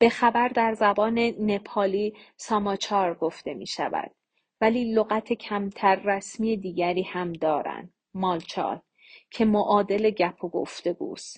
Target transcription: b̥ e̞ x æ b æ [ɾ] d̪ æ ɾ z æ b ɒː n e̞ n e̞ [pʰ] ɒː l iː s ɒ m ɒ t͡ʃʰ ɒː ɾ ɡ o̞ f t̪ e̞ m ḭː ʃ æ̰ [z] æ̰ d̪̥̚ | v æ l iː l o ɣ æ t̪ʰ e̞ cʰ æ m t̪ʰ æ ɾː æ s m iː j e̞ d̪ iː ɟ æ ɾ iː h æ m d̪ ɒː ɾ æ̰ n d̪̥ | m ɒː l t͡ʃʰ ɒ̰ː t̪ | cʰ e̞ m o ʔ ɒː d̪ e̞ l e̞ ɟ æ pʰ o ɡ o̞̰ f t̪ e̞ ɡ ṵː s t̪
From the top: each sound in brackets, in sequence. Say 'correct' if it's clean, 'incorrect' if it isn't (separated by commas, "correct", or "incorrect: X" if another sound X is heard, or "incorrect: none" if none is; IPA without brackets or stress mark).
correct, correct, incorrect: v